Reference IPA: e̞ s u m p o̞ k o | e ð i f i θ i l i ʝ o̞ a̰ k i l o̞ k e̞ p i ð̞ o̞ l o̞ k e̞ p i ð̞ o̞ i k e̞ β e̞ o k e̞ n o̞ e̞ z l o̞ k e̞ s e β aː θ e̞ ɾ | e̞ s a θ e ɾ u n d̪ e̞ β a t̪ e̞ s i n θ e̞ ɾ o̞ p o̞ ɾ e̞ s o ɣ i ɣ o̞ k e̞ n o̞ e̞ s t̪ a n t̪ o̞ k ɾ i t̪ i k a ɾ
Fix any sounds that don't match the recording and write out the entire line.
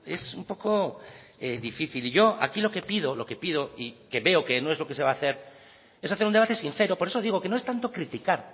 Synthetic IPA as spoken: e̞ s u m p o̞ k o | e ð i f i θ i l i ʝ o̞ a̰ k i l o̞ k e̞ p i ð̞ o̞ l o̞ k e̞ p i ð̞ o̞ i k e̞ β e̞ o k e̞ n o̞ e̞ z l o̞ k e̞ s e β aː θ e̞ ɾ | e̞ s a θ e ɾ u n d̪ e̞ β a t̪ e̞ s i n θ e̞ ɾ o̞ p o̞ ɾ e̞ s o ð i ɣ o̞ k e̞ n o̞ e̞ s t̪ a n t̪ o̞ k ɾ i t̪ i k a ɾ